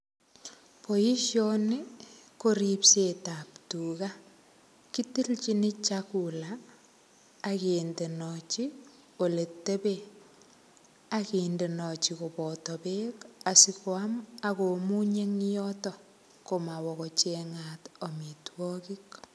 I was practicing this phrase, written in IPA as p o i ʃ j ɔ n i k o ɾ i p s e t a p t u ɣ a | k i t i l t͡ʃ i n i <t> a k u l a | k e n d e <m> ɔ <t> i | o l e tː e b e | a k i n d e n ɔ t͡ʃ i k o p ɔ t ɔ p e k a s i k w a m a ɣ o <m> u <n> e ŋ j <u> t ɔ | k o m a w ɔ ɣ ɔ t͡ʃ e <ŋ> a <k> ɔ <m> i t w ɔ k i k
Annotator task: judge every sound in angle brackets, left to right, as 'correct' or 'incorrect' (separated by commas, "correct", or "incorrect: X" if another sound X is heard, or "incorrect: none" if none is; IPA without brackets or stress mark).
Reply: incorrect: t͡ʃ, incorrect: n, incorrect: t͡ʃ, correct, incorrect: ɲ, incorrect: ɔ, correct, incorrect: t, correct